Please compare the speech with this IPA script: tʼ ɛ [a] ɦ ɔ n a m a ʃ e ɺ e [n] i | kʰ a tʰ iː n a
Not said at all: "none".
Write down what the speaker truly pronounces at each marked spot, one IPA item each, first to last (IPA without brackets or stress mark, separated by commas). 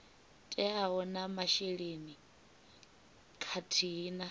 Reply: a, n